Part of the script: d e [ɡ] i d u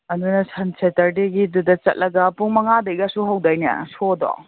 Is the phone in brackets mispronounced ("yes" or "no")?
no